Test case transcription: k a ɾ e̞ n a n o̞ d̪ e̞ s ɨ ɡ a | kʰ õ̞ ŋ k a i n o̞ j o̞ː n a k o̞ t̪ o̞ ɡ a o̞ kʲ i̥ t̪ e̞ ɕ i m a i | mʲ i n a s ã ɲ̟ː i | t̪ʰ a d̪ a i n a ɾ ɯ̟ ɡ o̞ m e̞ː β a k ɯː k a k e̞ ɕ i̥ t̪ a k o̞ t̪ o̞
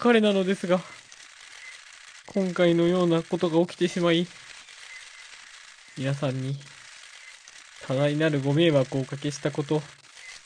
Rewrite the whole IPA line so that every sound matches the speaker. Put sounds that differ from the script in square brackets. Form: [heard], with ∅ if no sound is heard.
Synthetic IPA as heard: k a ɾ e̞ n a n o̞ d̪ e̞ s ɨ ɡ a | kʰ õ̞ ŋ k a i n o̞ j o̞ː n a k o̞ t̪ o̞ ɡ a o̞ kʲ i̥ t̪ e̞ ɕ i m a i | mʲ i n a s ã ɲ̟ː i | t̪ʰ a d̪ a i n a ɾ ɯ̟ ɡ o̞ m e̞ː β a k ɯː k a k e̞ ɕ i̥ t̪ a k o̞ t̪ o̞